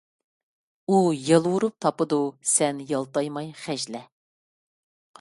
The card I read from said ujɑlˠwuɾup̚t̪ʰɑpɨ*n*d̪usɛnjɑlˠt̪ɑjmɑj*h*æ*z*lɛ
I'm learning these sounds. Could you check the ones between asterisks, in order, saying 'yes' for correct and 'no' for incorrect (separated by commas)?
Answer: no, no, no